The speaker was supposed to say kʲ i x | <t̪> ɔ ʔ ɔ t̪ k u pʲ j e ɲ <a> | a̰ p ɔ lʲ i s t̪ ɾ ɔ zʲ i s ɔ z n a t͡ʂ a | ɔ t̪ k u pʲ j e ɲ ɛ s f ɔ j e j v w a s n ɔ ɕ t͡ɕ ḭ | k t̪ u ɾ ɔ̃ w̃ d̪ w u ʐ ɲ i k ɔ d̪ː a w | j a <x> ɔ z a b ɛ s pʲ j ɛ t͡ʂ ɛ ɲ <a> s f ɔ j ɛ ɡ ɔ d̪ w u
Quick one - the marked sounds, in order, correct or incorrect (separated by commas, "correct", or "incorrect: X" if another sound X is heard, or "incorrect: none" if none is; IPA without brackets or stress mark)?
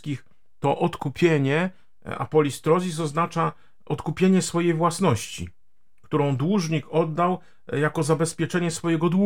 correct, incorrect: ɛ, incorrect: k, incorrect: ɛ